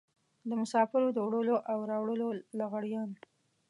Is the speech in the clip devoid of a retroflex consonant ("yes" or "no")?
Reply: no